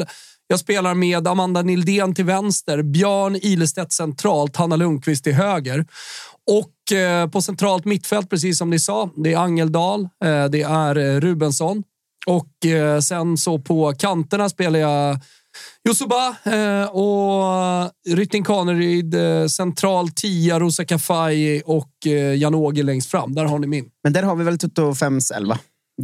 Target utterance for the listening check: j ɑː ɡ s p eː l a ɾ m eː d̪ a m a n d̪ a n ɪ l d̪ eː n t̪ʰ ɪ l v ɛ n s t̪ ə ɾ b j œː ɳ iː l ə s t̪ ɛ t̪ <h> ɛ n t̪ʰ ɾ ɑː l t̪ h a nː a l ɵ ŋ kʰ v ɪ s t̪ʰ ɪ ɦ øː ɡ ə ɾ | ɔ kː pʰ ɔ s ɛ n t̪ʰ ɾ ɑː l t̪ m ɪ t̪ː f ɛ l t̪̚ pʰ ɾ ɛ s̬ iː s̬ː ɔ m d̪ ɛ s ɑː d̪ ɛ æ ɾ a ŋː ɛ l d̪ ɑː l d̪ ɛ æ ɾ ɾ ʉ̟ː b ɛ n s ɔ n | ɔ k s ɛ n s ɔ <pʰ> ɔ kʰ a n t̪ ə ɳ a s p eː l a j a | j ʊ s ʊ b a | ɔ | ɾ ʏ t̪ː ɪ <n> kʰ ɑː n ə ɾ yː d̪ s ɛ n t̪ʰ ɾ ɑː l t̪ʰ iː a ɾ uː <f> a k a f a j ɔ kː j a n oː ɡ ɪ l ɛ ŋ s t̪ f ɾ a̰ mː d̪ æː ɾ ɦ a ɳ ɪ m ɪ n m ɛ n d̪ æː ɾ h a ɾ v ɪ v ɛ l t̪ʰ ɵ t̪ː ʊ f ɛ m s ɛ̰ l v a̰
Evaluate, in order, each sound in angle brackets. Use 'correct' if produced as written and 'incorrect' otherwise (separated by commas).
incorrect, correct, incorrect, incorrect